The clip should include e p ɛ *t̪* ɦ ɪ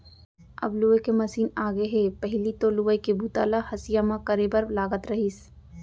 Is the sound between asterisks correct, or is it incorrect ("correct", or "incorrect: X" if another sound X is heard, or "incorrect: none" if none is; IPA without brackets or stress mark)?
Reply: incorrect: none